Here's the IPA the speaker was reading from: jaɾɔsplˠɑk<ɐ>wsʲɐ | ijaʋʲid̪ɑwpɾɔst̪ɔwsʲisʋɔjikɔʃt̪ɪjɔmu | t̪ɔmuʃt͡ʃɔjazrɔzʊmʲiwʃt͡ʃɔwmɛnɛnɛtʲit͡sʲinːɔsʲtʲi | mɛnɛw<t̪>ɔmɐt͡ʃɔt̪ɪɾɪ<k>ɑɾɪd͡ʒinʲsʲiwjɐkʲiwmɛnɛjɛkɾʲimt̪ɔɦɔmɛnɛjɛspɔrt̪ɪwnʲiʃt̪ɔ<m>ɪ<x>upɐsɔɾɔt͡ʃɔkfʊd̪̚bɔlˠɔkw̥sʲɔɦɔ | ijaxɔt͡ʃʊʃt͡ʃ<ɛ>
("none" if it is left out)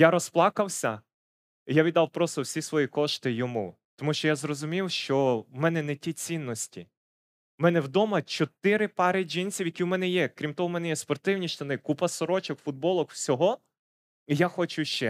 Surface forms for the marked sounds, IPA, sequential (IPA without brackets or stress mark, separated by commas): ɐ, d̪, p, n, k, ɛ